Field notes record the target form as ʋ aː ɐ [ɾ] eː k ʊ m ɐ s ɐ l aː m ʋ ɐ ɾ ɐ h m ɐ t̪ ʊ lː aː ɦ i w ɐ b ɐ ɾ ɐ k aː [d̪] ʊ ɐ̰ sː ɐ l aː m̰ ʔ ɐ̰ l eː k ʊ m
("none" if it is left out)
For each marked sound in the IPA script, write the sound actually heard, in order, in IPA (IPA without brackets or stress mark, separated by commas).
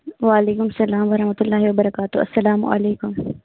l, t̪